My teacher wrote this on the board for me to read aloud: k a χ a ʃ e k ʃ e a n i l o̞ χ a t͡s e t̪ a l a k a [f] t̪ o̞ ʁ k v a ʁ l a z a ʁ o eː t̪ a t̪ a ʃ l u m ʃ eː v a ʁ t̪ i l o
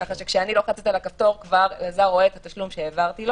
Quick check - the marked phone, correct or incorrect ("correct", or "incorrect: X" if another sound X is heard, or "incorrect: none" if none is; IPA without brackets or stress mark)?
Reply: correct